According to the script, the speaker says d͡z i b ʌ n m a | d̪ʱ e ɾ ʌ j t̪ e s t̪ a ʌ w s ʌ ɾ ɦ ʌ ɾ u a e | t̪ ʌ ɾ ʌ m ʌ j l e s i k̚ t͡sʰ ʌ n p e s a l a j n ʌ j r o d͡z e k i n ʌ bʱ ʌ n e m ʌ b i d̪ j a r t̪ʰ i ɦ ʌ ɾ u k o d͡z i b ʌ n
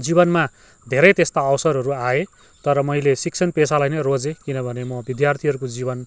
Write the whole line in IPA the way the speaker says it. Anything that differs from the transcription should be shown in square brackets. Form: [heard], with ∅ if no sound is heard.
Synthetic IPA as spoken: d͡z i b ʌ n m a | d̪ʱ e ɾ ʌ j t̪ e s t̪ a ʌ w s ʌ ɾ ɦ ʌ ɾ u a e | t̪ ʌ ɾ ʌ m ʌ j l e s i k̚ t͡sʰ ʌ n p e s a l a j n ʌ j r o d͡z e k i n ʌ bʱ ʌ n e m ʌ b i d̪ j a r t̪ʰ i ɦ ʌ ɾ u k o d͡z i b ʌ n